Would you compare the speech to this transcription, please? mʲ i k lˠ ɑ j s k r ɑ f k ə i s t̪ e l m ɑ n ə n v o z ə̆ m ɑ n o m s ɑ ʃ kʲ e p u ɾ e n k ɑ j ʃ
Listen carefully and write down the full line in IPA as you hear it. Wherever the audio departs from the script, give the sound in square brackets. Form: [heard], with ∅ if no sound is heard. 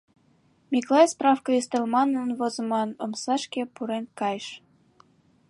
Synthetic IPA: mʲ i k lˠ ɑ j s [p] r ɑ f k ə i s t̪ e l m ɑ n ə n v o z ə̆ m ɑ n o m s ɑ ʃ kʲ e p u ɾ e n k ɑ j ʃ